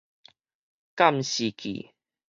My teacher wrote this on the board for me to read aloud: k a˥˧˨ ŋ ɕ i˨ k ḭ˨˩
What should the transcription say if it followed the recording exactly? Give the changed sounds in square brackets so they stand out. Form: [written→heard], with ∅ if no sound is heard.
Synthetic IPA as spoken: k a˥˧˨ [ŋ→m] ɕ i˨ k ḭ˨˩